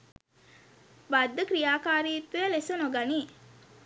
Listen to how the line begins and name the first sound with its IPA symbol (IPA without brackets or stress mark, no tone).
b